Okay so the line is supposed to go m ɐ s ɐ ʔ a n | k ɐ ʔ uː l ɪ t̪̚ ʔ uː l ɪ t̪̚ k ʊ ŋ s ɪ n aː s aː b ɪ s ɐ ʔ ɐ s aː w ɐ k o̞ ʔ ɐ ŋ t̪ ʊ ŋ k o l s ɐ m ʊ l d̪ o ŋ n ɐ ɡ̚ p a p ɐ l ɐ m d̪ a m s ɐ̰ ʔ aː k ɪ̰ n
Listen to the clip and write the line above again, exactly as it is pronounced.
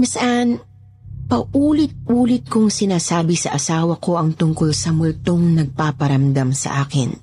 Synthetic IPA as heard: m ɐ s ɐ ʔ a n | p ɐ ʔ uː l ɪ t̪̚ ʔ uː l ɪ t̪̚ k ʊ ŋ s ɪ n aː s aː b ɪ s ɐ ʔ ɐ s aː w ɐ k o̞ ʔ ɐ ŋ t̪ ʊ ŋ k o l s ɐ m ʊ l t̪ o ŋ n ɐ ɡ̚ p a p ɐ ɾ ɐ m d̪ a m s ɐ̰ ʔ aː k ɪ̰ n